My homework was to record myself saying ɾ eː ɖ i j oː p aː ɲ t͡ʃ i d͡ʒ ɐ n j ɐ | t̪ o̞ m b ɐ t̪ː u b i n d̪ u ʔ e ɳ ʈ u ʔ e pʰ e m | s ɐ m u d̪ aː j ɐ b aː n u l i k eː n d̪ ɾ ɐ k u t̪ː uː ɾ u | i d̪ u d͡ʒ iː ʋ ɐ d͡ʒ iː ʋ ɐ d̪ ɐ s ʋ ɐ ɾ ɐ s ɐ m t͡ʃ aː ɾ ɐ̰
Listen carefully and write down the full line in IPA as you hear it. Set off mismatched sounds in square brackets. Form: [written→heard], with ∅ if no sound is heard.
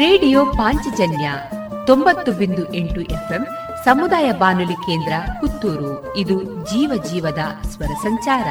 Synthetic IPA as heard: ɾ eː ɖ i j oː p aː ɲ t͡ʃ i d͡ʒ ɐ n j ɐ | t̪ o̞ m b ɐ t̪ː u b i n d̪ u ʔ e ɳ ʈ u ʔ e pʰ e m | s ɐ m u d̪ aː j ɐ b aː n u l i k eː n d̪ ɾ ɐ k u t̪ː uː ɾ u | i d̪ u d͡ʒ iː ʋ ɐ d͡ʒ iː ʋ ɐ d̪ ɐ s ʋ ɐ ɾ ɐ s ɐ [m→ɲ] t͡ʃ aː ɾ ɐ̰